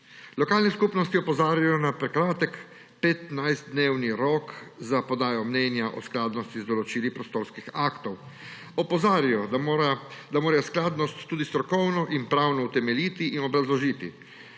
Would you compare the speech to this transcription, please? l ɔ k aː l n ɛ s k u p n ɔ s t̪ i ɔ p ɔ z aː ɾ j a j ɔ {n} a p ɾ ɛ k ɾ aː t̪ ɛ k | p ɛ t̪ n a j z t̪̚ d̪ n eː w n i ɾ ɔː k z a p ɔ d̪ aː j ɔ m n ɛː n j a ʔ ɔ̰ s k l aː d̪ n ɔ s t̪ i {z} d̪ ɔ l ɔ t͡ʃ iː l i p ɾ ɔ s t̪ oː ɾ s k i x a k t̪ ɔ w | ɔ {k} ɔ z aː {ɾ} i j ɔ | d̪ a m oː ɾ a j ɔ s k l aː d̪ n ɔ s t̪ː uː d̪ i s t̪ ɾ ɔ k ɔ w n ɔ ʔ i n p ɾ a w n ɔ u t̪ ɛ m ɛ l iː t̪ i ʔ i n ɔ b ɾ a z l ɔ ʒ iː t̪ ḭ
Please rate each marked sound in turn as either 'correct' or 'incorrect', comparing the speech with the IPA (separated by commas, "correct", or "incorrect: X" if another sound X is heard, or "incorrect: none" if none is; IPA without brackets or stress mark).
correct, correct, incorrect: p, correct